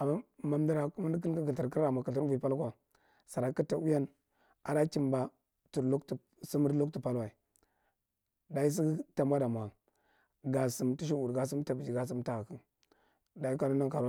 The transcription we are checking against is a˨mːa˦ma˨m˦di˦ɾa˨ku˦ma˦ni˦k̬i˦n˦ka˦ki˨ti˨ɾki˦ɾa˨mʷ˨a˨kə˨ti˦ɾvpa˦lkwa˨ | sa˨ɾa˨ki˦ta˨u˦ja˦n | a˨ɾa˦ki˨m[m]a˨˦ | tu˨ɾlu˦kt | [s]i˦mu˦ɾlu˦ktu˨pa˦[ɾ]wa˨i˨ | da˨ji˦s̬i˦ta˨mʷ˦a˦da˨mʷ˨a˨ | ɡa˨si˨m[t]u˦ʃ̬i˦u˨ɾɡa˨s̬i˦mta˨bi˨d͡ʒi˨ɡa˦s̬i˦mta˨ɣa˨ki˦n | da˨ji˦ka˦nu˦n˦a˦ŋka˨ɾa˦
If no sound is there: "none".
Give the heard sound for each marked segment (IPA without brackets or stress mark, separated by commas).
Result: b, s, l, t